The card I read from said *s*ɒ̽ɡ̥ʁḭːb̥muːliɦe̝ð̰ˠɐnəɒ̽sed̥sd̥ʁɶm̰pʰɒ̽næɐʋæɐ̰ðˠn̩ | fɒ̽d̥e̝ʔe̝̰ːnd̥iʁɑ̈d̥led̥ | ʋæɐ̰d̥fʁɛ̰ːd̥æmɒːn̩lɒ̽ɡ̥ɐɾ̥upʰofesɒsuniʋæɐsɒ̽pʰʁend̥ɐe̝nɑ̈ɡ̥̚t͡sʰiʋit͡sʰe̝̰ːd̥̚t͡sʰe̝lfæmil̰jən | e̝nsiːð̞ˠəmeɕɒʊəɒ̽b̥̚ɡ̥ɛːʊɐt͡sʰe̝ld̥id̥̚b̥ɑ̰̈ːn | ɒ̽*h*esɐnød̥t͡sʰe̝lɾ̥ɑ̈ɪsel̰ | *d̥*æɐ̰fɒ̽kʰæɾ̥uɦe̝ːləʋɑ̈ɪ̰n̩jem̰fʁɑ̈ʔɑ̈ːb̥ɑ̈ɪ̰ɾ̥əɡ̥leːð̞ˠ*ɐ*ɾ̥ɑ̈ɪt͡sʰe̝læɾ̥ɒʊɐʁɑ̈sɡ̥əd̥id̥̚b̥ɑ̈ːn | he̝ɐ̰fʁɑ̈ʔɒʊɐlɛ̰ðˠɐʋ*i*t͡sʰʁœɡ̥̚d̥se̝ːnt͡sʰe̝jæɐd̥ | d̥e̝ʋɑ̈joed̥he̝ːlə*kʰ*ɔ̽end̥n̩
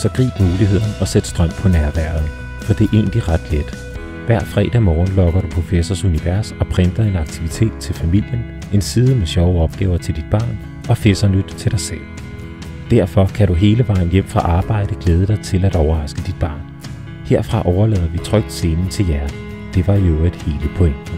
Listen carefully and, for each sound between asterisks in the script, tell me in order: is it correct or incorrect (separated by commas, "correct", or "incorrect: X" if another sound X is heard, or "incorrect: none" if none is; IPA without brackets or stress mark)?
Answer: correct, incorrect: f, correct, incorrect: ə, correct, incorrect: pʰ